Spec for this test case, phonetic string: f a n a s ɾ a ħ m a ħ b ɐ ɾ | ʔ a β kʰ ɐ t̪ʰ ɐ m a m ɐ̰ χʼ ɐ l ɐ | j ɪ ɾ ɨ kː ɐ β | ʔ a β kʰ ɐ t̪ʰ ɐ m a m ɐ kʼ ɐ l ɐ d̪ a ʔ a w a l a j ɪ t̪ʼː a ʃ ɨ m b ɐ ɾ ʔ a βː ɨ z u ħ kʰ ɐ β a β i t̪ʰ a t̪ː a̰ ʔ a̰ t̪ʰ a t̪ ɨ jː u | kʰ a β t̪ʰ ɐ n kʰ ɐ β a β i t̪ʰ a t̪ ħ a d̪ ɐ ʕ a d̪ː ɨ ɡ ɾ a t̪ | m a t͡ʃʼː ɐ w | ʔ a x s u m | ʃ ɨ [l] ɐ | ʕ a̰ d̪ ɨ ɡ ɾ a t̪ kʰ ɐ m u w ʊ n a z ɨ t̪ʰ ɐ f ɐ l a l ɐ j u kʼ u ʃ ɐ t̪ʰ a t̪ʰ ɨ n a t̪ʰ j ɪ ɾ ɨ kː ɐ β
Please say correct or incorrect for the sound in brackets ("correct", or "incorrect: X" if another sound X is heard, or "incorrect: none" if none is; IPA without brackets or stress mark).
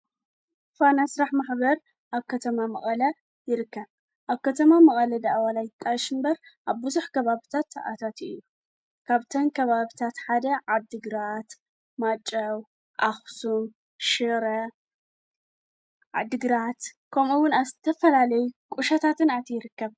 incorrect: ɾ